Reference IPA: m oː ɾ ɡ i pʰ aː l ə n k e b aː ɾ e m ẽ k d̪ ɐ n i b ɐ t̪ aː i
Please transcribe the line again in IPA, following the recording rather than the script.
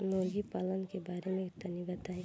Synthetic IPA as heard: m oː ɾ ɡ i p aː l ə n k e b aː ɾ e m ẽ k t̪ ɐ n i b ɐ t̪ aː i